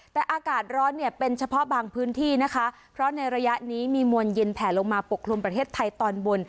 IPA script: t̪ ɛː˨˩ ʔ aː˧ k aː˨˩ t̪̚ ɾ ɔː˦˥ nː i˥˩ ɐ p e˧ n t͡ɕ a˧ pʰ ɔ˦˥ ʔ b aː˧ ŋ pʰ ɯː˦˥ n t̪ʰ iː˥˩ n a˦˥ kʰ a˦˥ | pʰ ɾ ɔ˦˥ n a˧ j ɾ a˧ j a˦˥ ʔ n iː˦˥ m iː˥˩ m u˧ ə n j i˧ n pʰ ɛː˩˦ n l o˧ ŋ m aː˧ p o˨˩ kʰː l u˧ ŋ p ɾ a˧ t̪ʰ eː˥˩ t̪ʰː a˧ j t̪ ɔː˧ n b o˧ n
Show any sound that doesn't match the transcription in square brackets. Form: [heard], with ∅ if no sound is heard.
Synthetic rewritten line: t̪ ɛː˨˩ ʔ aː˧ k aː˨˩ t̪̚ ɾ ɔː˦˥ nː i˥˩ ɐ p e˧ n [t͡ɕʰ] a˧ pʰ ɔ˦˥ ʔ b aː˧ ŋ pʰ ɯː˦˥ n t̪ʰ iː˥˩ n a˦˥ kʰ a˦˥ | pʰ ɾ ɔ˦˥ n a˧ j ɾ a˧ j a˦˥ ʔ n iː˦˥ m [iː˧] m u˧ ə n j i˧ n pʰ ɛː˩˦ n l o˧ ŋ m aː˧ p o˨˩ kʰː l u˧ [m] p ɾ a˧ t̪ʰ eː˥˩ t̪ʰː a˧ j t̪ ɔː˧ n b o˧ n

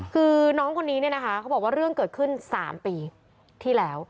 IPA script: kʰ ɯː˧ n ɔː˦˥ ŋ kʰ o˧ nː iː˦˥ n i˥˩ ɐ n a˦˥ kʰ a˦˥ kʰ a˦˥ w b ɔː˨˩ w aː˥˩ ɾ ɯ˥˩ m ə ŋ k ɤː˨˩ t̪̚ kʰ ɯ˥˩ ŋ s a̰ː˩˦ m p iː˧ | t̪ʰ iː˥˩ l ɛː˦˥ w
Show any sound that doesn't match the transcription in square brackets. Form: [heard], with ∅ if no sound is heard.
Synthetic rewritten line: kʰ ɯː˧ n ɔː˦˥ ŋ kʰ o˧ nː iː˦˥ n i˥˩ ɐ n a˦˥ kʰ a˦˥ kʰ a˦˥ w b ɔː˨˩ w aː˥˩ ɾ ɯ˥˩ [∅] ə ŋ k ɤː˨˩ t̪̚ kʰ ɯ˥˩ [n] s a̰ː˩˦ m p iː˧ | t̪ʰ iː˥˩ l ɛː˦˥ w

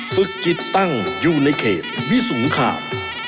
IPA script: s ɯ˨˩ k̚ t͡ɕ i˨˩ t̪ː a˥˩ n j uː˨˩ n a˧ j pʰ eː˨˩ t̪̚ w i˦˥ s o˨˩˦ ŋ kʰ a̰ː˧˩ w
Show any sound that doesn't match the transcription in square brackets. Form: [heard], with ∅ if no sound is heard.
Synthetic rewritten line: [f] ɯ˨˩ k̚ t͡ɕ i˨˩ t̪ː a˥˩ [ŋ] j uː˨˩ n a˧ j [kʰ] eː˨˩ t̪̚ w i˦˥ s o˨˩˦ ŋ kʰ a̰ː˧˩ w

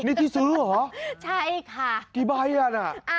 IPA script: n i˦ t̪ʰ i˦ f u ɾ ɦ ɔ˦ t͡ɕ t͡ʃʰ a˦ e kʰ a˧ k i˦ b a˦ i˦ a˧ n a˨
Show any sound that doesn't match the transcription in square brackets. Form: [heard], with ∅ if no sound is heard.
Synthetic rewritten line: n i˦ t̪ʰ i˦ [s] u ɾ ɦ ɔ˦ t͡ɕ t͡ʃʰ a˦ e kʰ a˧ k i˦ b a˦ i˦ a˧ n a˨

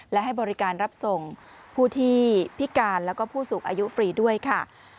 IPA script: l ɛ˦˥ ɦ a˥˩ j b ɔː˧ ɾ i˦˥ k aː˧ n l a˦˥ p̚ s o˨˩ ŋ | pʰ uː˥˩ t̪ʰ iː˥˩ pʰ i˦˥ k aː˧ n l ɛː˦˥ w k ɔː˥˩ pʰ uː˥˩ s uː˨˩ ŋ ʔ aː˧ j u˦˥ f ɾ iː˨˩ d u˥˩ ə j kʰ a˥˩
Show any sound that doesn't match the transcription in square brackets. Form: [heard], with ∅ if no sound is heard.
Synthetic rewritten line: l ɛ˦˥ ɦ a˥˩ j b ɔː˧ ɾ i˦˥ k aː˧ n [ɾ] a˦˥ p̚ s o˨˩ ŋ | pʰ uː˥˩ t̪ʰ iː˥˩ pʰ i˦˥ k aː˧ n l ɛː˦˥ w k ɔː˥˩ pʰ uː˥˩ s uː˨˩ ŋ ʔ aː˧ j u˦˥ f ɾ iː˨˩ d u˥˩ ə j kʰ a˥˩

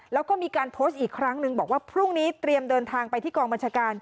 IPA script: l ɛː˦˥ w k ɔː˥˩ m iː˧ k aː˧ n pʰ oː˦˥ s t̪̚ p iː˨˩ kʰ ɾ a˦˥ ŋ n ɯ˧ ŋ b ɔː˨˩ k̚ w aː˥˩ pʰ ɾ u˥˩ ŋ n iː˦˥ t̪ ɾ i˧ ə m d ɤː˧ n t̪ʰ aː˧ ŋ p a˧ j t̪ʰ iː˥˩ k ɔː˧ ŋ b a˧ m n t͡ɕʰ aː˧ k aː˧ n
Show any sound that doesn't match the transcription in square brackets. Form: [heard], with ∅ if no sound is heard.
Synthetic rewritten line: l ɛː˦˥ w k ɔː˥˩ m iː˧ k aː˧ n pʰ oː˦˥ s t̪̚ [ʔ] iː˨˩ kʰ ɾ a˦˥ ŋ n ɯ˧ ŋ b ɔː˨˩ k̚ w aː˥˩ pʰ ɾ u˥˩ ŋ n iː˦˥ t̪ ɾ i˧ ə m d ɤː˧ n t̪ʰ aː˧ ŋ p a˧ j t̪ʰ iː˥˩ k ɔː˧ ŋ b a˧ [∅] n t͡ɕʰ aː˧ k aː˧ n

